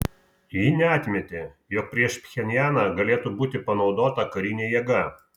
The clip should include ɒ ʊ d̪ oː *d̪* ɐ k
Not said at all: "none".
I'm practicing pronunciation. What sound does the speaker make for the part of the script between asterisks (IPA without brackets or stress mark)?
t̪